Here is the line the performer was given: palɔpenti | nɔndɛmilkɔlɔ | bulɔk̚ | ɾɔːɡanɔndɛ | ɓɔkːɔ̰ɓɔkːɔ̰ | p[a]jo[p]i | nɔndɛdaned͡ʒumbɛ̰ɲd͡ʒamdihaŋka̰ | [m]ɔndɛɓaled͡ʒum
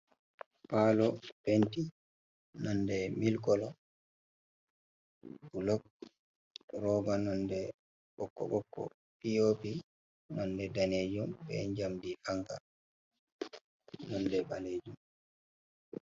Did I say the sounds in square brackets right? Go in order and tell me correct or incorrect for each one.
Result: incorrect, correct, incorrect

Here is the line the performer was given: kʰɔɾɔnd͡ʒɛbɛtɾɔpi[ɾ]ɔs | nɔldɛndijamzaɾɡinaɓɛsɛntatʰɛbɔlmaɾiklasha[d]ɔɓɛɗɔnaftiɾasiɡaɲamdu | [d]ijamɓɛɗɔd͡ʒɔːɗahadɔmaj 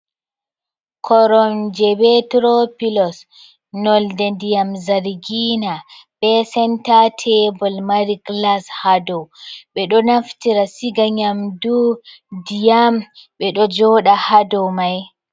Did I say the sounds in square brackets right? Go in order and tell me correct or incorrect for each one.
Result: incorrect, correct, correct

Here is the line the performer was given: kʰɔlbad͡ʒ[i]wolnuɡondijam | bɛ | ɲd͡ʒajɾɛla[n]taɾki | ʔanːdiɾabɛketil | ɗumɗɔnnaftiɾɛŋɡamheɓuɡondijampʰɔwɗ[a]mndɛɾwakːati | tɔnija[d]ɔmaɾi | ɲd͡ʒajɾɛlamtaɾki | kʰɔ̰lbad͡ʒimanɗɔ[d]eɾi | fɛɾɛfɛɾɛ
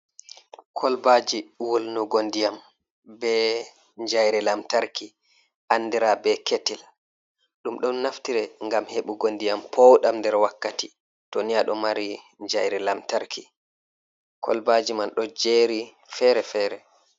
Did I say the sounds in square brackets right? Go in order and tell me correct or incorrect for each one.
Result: correct, incorrect, correct, incorrect, incorrect

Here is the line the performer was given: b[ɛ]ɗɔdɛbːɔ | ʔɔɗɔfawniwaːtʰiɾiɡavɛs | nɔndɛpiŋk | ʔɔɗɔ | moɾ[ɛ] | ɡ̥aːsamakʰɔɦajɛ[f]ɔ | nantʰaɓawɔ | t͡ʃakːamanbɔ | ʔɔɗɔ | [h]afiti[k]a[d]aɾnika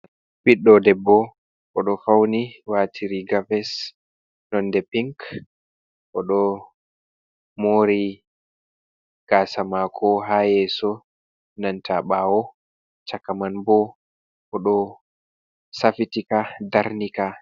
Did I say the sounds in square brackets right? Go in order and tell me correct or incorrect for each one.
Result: incorrect, incorrect, incorrect, incorrect, correct, correct

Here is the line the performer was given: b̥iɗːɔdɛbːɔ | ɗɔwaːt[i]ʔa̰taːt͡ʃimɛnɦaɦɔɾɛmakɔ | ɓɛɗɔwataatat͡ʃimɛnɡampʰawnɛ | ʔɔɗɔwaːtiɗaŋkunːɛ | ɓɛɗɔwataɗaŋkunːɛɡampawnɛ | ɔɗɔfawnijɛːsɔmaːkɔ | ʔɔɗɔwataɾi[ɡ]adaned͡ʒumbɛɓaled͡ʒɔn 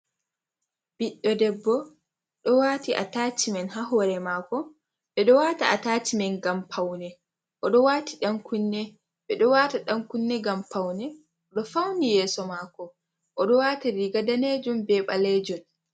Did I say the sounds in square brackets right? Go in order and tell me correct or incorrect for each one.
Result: correct, correct

